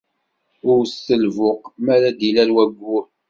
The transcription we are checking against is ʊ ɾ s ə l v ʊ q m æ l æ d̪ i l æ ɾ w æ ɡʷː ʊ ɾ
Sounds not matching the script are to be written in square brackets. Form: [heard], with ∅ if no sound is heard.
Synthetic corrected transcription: ʊ ɾ s ə l v ʊ q m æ [ɾ] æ d̪ i l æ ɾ w æ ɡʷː ʊ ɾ